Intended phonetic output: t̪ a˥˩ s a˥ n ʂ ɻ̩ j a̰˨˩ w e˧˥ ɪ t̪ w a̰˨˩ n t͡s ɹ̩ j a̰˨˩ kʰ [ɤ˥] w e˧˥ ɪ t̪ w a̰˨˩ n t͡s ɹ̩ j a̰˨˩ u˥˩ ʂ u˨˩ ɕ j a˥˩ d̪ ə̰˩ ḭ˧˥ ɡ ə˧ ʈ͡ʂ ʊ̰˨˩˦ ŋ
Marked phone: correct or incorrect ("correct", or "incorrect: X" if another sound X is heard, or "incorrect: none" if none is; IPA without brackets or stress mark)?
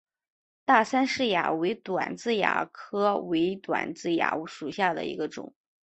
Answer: correct